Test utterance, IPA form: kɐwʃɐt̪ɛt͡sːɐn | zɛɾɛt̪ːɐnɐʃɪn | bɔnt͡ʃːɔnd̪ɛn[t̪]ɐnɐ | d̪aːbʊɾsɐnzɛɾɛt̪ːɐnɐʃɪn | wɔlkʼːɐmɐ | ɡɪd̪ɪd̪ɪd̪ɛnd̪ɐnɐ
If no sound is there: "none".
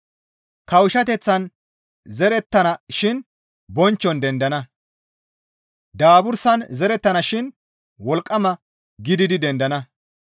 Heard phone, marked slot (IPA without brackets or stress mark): d̪